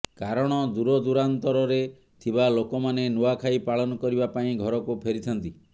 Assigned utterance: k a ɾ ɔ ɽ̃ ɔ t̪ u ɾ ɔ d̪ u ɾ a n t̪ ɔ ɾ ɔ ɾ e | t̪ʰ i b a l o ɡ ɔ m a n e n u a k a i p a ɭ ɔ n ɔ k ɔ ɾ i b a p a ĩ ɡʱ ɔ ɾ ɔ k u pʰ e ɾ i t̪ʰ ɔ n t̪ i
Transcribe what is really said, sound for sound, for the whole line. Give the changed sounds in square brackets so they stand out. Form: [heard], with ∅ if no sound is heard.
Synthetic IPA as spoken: k a ɾ ɔ ɽ̃ ɔ [d̪] u ɾ ɔ d̪ u ɾ a n t̪ ɔ ɾ ɔ ɾ e | t̪ʰ i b a l o [k] ɔ m a n e n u a [kʰ] a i p a ɭ ɔ n ɔ k ɔ ɾ i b a p a ĩ ɡʱ ɔ ɾ ɔ k u pʰ e ɾ i t̪ʰ ɔ n t̪ i

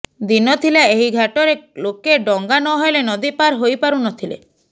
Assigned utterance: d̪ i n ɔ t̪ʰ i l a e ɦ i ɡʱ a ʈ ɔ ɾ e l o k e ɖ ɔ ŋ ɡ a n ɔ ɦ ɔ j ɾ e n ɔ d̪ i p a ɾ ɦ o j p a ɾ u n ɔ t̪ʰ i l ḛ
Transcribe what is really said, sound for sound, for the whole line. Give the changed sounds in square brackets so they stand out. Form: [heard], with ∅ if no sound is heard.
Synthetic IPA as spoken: d̪ i n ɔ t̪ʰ i l a e ɦ i ɡʱ a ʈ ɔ ɾ e l o k e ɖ ɔ ŋ ɡ a n ɔ ɦ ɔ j [l] e n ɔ d̪ i p a ɾ ɦ o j p a ɾ u n ɔ t̪ʰ i l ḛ

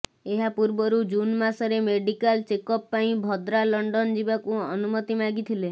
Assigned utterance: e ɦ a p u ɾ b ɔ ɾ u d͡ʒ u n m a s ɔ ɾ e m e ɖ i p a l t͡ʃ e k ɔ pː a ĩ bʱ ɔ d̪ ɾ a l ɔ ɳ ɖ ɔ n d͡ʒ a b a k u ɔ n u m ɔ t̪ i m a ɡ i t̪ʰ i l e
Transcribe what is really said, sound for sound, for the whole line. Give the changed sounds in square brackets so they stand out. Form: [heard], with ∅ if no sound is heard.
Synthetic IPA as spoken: e ɦ a p u ɾ b ɔ ɾ u d͡ʒ u n m a s ɔ ɾ e m e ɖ i [k] a l t͡ʃ e k ɔ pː a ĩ bʱ ɔ d̪ ɾ a l ɔ ɳ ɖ ɔ n d͡ʒ [i] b a k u ɔ n u m ɔ t̪ i m a ɡ i t̪ʰ i l e

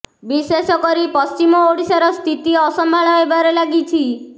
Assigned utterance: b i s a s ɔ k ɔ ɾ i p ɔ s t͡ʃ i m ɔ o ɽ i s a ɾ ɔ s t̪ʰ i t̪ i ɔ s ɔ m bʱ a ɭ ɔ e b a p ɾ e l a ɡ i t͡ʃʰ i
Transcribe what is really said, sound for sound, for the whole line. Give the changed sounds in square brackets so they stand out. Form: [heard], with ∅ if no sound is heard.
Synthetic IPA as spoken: b i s [e] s ɔ k ɔ ɾ i p ɔ s t͡ʃ i m ɔ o ɽ i s a ɾ ɔ s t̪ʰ i t̪ i ɔ s ɔ m bʱ a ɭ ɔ e b a [∅] ɾ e l a ɡ i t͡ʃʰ i

